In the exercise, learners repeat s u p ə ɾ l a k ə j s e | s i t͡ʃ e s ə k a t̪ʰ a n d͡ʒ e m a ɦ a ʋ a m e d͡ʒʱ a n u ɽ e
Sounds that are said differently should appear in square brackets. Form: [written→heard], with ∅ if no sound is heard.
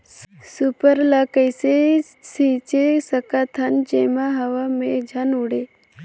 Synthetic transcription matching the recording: s u p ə ɾ l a k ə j s e | s i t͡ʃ e s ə k a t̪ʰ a n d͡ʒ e m a ɦ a ʋ a m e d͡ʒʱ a n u ɽ e